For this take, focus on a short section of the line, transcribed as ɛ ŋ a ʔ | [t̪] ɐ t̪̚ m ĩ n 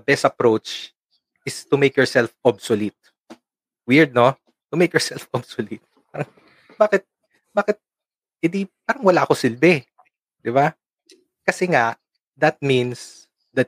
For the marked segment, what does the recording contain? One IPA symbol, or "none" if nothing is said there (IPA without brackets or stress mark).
d̪